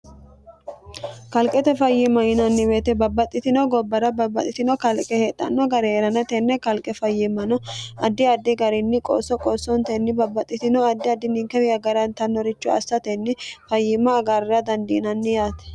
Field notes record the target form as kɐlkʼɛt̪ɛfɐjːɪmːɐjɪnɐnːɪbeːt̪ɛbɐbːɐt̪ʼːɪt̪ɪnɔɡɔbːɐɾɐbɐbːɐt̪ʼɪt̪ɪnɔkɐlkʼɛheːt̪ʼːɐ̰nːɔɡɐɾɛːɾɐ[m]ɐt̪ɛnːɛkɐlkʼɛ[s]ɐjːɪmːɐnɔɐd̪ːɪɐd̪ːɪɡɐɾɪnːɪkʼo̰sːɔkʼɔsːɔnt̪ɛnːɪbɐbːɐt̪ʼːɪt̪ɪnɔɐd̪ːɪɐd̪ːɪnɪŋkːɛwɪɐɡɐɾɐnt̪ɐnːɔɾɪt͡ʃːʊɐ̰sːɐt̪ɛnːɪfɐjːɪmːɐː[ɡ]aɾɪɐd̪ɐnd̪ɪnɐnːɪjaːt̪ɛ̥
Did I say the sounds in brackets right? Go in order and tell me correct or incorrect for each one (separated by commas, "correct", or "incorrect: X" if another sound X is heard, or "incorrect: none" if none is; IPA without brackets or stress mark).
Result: incorrect: n, incorrect: f, correct